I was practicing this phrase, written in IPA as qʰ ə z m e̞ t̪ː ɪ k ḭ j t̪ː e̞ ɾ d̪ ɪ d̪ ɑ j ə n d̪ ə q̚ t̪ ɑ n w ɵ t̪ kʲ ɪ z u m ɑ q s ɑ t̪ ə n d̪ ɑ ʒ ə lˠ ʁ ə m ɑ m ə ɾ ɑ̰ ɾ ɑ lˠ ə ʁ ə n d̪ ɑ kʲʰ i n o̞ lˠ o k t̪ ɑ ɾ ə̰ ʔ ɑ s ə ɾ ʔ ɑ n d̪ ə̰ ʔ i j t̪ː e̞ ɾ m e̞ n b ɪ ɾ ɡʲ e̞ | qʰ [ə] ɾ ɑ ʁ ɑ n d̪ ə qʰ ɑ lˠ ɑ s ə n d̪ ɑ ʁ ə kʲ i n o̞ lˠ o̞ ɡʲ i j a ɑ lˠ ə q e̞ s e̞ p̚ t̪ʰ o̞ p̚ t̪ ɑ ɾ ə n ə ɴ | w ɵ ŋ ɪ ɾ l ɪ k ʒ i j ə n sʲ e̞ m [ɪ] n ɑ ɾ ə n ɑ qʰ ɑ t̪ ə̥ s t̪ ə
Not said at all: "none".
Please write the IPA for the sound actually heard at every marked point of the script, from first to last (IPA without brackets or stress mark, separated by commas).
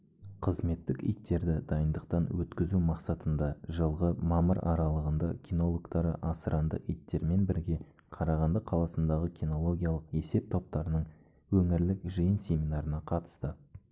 ɑ, i